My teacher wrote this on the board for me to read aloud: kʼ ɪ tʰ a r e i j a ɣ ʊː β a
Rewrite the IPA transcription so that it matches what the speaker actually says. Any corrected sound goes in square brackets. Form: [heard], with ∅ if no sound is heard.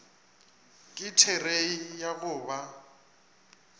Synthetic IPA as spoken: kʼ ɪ tʰ [ɛ] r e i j a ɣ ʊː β a